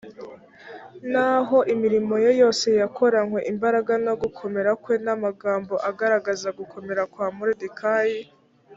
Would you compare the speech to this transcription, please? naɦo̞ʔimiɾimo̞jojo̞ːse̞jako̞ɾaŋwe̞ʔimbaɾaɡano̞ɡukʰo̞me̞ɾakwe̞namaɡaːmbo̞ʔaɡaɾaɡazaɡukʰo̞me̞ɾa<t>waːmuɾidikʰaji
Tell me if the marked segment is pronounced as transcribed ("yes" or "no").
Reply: no